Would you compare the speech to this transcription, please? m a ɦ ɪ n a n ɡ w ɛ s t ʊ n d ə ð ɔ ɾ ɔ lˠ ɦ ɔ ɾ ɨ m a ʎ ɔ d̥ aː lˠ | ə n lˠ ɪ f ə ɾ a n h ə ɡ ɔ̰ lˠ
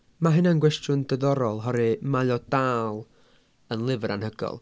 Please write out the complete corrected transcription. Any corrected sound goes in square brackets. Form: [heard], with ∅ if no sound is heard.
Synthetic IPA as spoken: m a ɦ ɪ n a n ɡ w ɛ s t ʊ n d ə ð ɔ ɾ ɔ lˠ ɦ ɔ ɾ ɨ m a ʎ ɔ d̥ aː lˠ | ə n lˠ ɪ [v] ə ɾ a n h ə ɡ ɔ̰ lˠ

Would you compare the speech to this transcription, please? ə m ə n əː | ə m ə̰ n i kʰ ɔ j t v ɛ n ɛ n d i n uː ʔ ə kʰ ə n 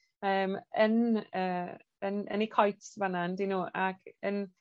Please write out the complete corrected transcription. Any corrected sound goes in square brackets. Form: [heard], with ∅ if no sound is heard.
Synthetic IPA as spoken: [əː] m ə n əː | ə [n] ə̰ n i kʰ ɔ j t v [a] n [a] n d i n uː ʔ [a] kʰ ə n

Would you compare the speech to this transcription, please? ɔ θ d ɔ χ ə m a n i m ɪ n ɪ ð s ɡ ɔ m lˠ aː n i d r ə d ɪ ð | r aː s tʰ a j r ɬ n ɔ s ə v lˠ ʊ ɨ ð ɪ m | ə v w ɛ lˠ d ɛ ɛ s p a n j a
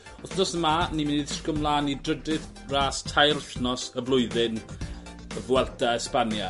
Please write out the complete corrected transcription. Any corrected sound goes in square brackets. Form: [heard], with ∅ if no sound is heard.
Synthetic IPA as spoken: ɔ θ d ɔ [s] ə m a n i m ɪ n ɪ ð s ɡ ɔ m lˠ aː n i d r ə d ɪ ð | r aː s tʰ a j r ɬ n ɔ s ə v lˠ ʊ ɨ ð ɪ [n] | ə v w ɛ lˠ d [a] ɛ s p a n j a

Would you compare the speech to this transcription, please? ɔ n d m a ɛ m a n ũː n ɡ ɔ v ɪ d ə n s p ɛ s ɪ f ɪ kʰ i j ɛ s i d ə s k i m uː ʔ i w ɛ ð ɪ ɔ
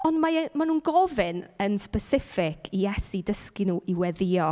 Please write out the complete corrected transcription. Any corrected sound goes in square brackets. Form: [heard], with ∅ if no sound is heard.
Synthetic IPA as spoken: ɔ n d m a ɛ m a n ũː n ɡ ɔ v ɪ [n] ə n s p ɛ s ɪ f ɪ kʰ i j ɛ s i d ə s k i [n] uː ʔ i w ɛ ð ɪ ɔ

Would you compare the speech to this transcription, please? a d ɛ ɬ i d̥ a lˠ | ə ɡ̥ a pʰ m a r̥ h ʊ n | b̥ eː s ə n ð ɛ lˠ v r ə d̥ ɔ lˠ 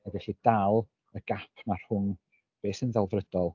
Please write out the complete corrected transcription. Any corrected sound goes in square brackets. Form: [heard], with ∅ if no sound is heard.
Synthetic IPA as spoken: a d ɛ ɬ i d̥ a lˠ | ə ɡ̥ a pʰ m a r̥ h ʊ n | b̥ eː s ə n ð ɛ lˠ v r ə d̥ ɔ lˠ

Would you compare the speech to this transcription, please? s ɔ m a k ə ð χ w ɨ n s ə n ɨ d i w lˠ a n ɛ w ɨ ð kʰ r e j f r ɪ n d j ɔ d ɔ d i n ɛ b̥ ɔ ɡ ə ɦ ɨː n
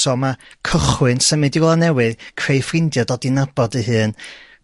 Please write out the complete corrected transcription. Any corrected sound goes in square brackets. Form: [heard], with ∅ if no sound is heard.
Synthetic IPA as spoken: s ɔ m a [kʰ] ə [∅] χ w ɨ n s ə [m] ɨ d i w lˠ a n ɛ w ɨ ð kʰ r e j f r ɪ n d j ɔ d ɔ d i n [a] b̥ ɔ [d] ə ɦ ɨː n

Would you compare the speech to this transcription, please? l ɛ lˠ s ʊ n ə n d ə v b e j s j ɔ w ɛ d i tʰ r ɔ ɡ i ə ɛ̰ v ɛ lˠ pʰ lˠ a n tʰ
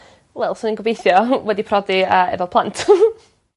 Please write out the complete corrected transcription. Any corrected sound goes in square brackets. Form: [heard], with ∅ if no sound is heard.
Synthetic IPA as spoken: l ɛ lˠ s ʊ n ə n [ɡ] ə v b e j [θ] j ɔ w ɛ d i [pʰ] r ɔ [d] i ə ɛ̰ v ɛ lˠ pʰ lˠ a n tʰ

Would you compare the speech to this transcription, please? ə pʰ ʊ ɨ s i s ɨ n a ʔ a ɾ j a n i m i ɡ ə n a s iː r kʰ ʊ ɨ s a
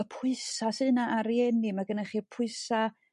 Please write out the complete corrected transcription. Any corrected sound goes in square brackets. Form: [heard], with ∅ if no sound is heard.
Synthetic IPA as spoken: ə pʰ ʊ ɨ s [a] s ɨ n a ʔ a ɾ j [ɛ] n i m [a] ɡ ə n a [χ] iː r [pʰ] ʊ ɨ s a

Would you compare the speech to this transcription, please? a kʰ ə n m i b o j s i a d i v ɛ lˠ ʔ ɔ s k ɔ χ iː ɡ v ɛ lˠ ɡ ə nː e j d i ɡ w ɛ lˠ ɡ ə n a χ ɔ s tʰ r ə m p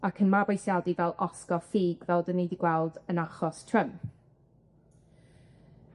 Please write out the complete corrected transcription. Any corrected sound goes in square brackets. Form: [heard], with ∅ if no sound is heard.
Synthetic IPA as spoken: a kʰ ə n m [a] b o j s [j] a d i v ɛ lˠ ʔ ɔ s k ɔ [f] iː ɡ v ɛ lˠ [d] ə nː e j d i ɡ w ɛ lˠ [d] ə n a χ ɔ s tʰ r ə m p

